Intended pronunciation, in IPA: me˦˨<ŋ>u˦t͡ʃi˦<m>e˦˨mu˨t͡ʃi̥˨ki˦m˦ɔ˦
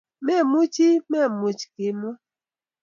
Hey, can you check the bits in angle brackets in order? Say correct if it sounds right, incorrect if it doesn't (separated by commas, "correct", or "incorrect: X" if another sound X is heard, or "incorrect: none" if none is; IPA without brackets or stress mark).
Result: incorrect: m, correct